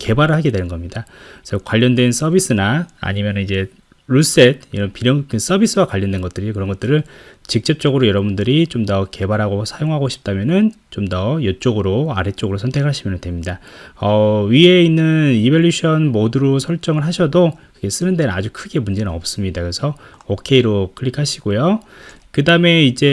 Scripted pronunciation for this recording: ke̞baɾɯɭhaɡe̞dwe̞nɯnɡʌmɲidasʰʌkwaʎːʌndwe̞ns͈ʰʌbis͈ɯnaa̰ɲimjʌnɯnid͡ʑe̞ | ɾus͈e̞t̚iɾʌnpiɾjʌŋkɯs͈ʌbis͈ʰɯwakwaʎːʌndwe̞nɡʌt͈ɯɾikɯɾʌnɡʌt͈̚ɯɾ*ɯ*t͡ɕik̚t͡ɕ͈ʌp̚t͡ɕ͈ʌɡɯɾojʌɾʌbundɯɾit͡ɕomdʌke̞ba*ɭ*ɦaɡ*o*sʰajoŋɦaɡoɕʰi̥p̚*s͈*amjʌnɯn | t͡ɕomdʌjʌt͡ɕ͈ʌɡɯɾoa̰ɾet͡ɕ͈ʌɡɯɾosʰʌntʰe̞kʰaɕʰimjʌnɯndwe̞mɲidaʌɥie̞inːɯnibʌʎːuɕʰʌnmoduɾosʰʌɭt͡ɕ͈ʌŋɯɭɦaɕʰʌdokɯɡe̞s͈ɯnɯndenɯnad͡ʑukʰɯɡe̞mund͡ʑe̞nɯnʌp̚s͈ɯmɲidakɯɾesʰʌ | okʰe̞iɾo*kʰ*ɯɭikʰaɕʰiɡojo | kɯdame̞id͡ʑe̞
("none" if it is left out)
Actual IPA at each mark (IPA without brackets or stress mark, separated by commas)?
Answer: ɯ, ɾ, o, t͈, kʰ